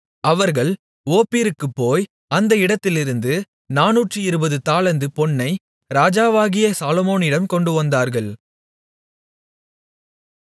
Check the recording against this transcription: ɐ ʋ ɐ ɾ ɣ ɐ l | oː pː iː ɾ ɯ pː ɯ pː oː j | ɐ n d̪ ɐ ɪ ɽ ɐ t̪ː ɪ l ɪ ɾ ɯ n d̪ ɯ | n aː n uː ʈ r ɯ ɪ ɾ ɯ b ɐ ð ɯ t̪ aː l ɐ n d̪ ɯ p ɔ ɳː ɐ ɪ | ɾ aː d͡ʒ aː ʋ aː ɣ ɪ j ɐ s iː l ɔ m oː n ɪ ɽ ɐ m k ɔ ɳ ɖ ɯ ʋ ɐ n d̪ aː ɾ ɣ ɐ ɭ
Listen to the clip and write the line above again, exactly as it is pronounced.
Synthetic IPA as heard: ɐ ʋ ɐ ɾ ɣ ɐ ɭ | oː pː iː ɾ ɯ kː ɯ pː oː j | ɐ n d̪ ɐ ɪ ɽ ɐ t̪ː ɪ l ɪ ɾ ɯ n d̪ ɯ | n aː n uː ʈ r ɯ ɪ ɾ ɯ b ɐ ð ɯ t̪ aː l ɐ n d̪ ɯ p ɔ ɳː ɐ ɪ | ɾ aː d͡ʒ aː ʋ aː ɣ ɪ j ɐ s aː l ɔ m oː n ɪ ɽ ɐ m k ɔ ɳ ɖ ɯ ʋ ɐ n d̪ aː ɾ ɣ ɐ ɭ